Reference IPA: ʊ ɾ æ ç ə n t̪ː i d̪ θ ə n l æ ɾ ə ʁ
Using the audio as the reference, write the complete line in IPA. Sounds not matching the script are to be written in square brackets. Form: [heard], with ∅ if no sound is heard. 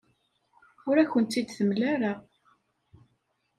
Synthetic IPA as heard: ʊ ɾ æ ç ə n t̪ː i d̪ θ ə [m] l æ ɾ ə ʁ